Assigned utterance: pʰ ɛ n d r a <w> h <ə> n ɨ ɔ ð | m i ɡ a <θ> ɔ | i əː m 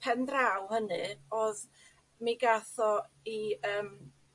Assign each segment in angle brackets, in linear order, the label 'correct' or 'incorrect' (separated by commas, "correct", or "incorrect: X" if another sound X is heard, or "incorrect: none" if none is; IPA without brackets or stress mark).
correct, correct, correct